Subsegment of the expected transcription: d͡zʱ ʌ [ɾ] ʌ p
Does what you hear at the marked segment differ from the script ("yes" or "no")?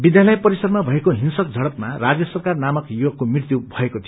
yes